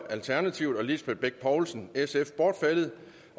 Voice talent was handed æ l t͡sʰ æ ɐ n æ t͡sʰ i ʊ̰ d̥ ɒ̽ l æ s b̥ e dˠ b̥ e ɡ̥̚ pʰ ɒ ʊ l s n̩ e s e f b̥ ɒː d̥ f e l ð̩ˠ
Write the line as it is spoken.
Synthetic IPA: æ l t͡sʰ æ ɐ n æ t͡sʰ i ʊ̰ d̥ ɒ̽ l i s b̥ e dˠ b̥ e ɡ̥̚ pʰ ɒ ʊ l s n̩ e s e f b̥ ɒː d̥ f e l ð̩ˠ